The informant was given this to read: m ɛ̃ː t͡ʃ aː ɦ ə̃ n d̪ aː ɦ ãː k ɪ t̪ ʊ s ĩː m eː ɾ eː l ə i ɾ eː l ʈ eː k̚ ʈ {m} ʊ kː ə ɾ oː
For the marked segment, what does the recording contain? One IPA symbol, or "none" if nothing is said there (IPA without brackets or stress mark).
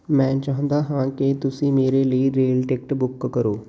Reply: b